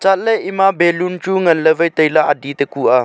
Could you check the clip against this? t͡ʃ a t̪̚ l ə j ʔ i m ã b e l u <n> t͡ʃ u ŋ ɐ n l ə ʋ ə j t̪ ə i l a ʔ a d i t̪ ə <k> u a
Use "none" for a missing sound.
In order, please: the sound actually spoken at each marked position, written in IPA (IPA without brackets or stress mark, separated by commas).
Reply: n, k